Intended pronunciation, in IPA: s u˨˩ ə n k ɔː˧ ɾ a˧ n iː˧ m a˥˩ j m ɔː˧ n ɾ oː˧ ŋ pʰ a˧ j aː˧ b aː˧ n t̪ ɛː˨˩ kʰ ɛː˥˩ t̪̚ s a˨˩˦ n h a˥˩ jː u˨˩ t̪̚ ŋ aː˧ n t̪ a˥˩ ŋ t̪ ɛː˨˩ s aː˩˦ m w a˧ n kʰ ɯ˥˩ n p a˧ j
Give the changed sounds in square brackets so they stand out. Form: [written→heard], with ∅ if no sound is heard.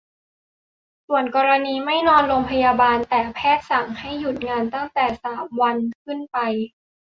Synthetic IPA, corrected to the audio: s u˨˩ ə n k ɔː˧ ɾ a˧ n iː˧ m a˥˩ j [m→n] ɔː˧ n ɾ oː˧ ŋ pʰ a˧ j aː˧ b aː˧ n t̪ ɛː˨˩ [kʰ→pʰ] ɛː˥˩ t̪̚ s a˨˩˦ [n→ŋ] h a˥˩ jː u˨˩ t̪̚ ŋ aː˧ n t̪ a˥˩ ŋ t̪ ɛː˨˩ s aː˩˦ m w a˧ n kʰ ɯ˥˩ n p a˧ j